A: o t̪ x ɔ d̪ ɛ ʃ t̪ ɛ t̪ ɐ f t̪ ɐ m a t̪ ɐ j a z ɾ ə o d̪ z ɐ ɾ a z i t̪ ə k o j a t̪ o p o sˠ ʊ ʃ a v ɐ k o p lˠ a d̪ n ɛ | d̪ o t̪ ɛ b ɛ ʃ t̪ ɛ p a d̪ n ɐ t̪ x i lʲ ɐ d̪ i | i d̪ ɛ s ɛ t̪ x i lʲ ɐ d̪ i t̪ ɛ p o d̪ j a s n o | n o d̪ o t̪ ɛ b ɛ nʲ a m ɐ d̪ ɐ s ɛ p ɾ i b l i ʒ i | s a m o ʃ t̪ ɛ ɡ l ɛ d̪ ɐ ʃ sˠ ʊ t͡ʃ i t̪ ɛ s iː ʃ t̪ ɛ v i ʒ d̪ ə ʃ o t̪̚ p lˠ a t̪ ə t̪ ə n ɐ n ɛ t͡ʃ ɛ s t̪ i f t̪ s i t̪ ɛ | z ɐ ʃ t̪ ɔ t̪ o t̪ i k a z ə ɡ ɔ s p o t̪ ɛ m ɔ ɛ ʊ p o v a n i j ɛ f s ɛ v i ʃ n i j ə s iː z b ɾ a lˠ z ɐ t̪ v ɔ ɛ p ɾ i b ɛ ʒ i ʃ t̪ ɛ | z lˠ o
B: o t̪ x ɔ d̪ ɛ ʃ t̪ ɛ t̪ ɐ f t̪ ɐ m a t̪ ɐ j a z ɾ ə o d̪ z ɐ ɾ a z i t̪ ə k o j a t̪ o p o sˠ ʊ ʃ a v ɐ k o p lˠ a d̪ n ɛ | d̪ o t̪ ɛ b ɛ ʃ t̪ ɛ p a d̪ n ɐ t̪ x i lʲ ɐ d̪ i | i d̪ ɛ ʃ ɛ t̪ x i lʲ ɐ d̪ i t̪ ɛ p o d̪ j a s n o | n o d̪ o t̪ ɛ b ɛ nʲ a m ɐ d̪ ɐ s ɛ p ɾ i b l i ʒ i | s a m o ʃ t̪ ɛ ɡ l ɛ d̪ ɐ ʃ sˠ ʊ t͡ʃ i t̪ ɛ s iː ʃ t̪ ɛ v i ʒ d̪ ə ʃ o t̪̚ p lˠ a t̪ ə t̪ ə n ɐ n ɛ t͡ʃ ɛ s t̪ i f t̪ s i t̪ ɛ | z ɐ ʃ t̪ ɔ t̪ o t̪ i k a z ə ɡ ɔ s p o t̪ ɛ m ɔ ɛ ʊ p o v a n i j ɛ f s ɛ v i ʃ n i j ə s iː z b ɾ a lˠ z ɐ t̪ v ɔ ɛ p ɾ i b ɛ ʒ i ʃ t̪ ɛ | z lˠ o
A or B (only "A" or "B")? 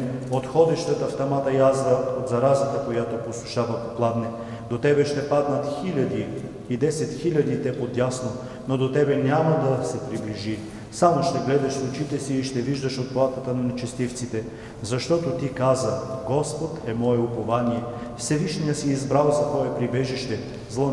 A